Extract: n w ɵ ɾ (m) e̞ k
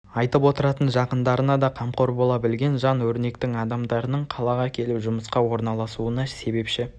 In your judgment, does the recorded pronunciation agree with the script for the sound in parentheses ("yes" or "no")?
no